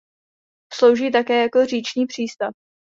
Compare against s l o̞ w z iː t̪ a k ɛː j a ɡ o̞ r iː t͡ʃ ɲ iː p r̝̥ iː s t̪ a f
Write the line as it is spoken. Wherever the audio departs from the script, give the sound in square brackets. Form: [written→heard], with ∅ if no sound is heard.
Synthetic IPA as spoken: s l o̞ w [z→ʒ] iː t̪ a k ɛː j a [ɡ→k] o̞ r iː t͡ʃ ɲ iː p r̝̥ iː s t̪ a f

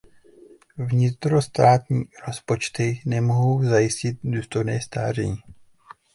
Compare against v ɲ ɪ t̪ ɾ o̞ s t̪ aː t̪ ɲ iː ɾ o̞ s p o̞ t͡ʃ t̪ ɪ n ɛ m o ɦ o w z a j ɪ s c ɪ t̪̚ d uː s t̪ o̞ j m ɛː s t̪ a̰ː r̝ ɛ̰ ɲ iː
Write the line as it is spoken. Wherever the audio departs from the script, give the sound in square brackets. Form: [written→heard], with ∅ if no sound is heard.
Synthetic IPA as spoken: v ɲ ɪ t̪ ɾ o̞ s t̪ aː t̪ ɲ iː ɾ o̞ s p o̞ t͡ʃ t̪ ɪ n ɛ m o ɦ o w z a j ɪ s c ɪ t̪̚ d uː s t̪ o̞ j [m→n] ɛː s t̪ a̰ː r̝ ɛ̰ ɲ iː

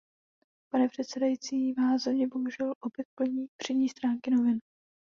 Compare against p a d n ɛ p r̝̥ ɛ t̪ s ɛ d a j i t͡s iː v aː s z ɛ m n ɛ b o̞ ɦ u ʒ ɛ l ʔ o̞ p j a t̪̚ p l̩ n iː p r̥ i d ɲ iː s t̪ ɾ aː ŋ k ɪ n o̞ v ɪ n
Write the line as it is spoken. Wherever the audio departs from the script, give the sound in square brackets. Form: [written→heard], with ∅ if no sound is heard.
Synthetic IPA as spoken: p a [d→∅] n ɛ p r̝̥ ɛ t̪ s ɛ d a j i t͡s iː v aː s z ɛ m [n→ɲ] ɛ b o̞ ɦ u ʒ ɛ l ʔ o̞ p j [a→ɛ] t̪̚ p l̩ [n→ɲ] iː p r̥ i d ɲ iː s t̪ ɾ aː ŋ k ɪ n o̞ v ɪ n

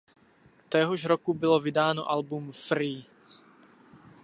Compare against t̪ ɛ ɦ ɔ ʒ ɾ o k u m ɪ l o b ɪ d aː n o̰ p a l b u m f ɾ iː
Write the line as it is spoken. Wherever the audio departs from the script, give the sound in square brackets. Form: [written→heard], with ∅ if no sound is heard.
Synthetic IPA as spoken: t̪ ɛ ɦ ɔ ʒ ɾ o k u [m→b] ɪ l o [b→v] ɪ d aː n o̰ [p→ʔ] a l b u m f ɾ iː

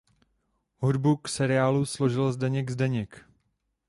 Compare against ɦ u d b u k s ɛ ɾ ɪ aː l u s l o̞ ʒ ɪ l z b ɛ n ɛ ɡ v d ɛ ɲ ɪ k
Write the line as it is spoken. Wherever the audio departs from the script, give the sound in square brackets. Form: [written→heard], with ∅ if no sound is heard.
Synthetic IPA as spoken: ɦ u d b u k s ɛ ɾ ɪ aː l u s l o̞ ʒ ɪ l z [b→d] ɛ [n→ɲ] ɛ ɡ [v→z] d ɛ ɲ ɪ k

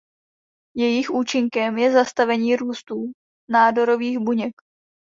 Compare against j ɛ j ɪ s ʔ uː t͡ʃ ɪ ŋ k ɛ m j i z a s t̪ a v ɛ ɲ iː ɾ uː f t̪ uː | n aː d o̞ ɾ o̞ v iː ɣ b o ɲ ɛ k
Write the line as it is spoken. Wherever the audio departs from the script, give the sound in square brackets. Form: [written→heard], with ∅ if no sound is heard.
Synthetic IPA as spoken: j ɛ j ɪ [s→x] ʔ uː t͡ʃ ɪ ŋ k ɛ m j [i→ɛ] z a s t̪ a v ɛ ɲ iː ɾ uː [f→s] t̪ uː | n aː d o̞ ɾ o̞ v iː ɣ b [o→u] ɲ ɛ k

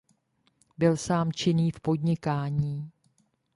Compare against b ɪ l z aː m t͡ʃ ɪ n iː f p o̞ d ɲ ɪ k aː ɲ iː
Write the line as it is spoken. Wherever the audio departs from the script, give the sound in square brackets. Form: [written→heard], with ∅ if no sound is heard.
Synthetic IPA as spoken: b ɪ l [z→s] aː m t͡ʃ ɪ n iː f p o̞ d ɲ ɪ k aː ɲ iː

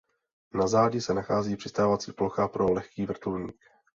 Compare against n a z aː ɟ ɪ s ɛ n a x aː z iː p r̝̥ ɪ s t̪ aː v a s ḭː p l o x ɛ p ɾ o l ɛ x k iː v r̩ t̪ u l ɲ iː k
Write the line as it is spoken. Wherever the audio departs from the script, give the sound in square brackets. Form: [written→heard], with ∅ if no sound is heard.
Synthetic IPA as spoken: n a z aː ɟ ɪ s ɛ n a x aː z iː p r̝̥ ɪ s t̪ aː v a [s→t͡s] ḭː p l o x [ɛ→a] p ɾ o l ɛ x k iː v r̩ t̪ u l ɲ iː k

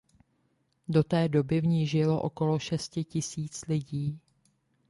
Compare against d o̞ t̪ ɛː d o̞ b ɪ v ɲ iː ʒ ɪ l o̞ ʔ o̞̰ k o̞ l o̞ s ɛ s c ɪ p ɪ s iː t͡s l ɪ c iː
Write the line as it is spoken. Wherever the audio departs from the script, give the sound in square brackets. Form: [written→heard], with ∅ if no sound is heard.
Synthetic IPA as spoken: d o̞ t̪ ɛː d o̞ b ɪ v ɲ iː ʒ ɪ l o̞ ʔ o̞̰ k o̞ l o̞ [s→ʃ] ɛ s c ɪ [p→c] ɪ s iː t͡s l ɪ [c→ɟ] iː

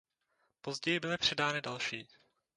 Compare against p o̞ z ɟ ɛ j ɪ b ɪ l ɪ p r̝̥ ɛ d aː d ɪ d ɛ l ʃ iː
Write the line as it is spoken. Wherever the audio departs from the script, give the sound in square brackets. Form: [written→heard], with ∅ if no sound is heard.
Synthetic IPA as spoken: p o̞ z ɟ ɛ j ɪ b ɪ l ɪ p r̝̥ ɛ d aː [d→n] ɪ d [ɛ→a] l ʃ iː

